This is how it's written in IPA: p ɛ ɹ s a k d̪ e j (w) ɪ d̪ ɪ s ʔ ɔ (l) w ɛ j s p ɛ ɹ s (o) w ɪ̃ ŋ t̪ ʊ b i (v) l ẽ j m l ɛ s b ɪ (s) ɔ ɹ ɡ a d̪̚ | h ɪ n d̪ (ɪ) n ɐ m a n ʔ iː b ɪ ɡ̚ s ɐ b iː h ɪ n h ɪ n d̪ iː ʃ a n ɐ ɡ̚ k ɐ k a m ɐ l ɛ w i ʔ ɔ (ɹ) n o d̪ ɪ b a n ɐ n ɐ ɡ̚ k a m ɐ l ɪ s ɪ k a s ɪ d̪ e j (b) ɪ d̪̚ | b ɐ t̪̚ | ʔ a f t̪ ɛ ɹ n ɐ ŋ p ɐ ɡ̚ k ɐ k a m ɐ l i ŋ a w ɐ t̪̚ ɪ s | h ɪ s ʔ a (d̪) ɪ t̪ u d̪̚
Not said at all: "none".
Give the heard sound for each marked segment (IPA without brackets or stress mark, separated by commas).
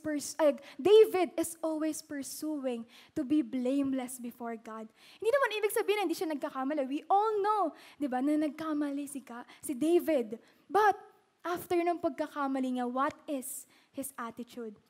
v, l, u, b, f, i, l, v, t̪